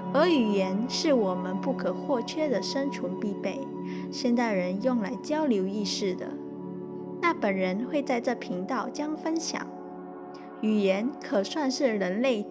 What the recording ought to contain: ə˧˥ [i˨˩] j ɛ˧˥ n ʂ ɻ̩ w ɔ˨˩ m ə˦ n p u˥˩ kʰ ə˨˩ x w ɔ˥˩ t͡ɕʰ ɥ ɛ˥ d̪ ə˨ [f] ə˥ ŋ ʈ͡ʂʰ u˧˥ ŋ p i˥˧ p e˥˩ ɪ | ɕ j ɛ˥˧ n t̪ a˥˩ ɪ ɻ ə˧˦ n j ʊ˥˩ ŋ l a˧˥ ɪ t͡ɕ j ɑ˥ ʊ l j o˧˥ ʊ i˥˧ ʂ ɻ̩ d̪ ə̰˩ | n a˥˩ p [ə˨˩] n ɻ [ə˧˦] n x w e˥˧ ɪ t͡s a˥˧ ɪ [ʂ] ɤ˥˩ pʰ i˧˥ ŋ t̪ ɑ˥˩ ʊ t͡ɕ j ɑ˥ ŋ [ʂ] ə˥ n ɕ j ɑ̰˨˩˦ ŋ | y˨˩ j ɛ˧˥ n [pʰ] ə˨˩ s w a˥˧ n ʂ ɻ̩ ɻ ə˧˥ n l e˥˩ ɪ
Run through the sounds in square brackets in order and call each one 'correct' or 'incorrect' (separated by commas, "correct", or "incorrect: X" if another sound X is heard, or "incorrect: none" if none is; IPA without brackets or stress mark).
incorrect: y˨˩, incorrect: ʂ, correct, correct, incorrect: ʈ͡ʂ, incorrect: f, incorrect: kʰ